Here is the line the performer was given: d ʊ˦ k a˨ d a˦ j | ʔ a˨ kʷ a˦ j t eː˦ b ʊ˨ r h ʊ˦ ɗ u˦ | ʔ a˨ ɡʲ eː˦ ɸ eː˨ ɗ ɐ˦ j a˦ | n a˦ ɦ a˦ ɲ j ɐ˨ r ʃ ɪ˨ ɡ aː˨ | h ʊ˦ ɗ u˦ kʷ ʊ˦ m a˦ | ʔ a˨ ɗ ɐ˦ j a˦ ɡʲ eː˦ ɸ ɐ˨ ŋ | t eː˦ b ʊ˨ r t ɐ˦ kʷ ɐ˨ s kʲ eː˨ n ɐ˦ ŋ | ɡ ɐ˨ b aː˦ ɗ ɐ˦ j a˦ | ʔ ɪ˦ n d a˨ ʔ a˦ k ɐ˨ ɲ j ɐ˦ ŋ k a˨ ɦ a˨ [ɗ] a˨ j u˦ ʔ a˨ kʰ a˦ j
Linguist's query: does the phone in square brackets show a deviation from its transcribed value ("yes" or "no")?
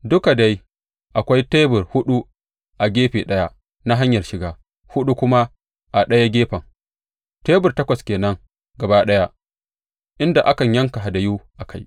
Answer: yes